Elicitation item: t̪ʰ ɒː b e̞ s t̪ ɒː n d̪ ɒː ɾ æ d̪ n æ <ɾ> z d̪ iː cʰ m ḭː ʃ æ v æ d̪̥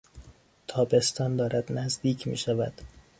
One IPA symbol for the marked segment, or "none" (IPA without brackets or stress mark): none